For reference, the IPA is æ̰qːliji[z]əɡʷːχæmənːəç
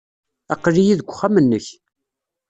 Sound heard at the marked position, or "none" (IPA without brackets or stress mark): ð